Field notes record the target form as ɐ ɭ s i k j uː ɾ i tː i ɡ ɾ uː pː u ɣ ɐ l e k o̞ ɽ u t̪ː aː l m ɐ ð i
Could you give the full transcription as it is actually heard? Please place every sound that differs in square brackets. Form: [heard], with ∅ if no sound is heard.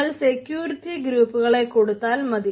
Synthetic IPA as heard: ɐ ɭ s [e] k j uː ɾ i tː i ɡ ɾ uː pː u ɣ ɐ [ɭ] e k o̞ ɽ u t̪ː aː l m ɐ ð i